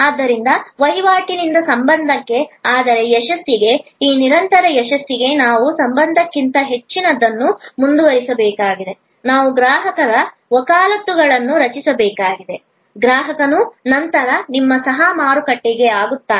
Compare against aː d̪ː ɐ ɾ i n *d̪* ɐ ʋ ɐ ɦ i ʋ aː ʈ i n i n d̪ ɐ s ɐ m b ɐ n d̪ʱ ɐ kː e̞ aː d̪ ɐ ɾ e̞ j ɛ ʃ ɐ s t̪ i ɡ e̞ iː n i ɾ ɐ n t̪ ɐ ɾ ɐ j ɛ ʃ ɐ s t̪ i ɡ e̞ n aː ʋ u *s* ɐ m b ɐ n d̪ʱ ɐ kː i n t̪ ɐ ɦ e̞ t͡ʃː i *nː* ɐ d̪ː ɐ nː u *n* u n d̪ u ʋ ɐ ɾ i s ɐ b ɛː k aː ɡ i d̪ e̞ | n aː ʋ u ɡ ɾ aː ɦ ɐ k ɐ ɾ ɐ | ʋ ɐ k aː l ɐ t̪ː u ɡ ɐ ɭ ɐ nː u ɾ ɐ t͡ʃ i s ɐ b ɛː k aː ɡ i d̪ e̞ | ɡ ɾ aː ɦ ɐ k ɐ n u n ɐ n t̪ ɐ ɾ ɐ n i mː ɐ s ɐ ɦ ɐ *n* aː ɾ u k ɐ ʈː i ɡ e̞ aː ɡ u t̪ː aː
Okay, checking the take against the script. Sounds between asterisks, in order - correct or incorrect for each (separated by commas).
correct, correct, incorrect, incorrect, incorrect